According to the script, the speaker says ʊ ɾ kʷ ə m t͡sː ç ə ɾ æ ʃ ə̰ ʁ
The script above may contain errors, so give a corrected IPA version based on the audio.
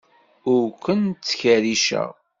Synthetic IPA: ʊ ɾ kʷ ə n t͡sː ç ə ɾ i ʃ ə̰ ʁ